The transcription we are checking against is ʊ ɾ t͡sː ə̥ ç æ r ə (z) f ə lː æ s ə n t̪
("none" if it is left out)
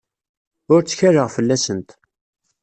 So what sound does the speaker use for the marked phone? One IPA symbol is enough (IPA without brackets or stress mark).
ʁ